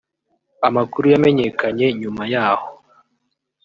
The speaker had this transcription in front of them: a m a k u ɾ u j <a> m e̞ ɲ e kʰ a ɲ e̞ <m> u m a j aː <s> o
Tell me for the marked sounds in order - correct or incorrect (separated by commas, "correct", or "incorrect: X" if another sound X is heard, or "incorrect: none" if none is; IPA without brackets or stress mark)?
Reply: correct, incorrect: ɲ, incorrect: h